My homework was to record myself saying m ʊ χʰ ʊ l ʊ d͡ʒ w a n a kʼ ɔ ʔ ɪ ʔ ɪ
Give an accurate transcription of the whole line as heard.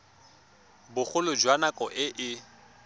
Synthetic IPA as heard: b ʊ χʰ ʊ l ʊ d͡ʒ w a n a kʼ ɔ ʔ ɪ ʔ ɪ